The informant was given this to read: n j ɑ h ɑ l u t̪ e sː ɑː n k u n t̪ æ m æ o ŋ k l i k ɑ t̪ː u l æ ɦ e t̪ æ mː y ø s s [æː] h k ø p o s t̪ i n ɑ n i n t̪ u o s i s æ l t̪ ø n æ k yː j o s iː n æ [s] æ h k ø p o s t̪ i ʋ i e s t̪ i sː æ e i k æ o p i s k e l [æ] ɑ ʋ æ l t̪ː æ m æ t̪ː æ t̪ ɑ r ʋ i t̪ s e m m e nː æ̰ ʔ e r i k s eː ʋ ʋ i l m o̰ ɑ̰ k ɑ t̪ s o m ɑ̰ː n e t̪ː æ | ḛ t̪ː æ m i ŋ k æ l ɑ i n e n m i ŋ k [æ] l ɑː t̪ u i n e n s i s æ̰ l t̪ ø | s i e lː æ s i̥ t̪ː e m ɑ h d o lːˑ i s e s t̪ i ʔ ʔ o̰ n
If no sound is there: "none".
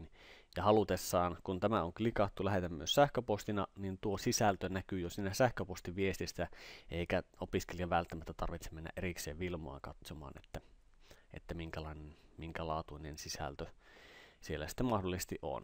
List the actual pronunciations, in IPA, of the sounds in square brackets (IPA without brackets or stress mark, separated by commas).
æ, s, i, æ